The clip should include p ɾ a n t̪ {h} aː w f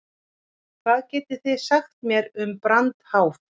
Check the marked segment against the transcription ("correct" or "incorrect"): correct